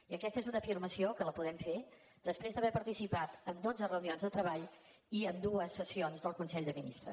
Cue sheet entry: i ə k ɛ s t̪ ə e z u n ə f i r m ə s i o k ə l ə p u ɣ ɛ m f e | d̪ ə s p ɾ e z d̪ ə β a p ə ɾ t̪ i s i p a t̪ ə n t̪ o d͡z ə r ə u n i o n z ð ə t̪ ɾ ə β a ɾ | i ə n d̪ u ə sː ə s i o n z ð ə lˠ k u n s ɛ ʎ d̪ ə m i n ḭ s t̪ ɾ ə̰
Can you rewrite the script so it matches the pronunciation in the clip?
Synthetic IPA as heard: i ə k ɛ s t̪ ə e z u n ə f i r m ə s i o k ə l ə p u ð ɛ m f e | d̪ ə s p ɾ e z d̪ ə β ɛ p ə ɾ t̪ i s i p a t̪ ə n d̪ o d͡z ə r ə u n i o n z ð ə t̪ ɾ ə β a ʎ | i ə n d̪ u ə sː ə s i o n z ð ə lˠ k u n s ɛ ʎ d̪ ə m i n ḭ s t̪ ɾ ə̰